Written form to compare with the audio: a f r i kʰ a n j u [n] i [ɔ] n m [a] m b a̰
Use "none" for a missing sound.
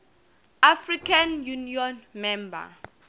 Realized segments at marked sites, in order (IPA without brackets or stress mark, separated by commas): n, ɔ, ɛ